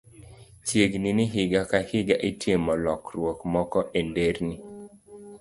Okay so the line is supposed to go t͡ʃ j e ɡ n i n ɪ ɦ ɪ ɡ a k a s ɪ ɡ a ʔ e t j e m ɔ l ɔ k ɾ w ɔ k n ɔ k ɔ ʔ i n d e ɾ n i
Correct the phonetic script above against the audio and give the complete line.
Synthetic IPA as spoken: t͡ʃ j e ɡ n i n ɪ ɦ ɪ ɡ a k a h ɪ ɡ a ʔ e t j e m ɔ l ɔ k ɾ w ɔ k m ɔ k ɔ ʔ e n d e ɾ n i